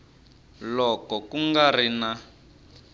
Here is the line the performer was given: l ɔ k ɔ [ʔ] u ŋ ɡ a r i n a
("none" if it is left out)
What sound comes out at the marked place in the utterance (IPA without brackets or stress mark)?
k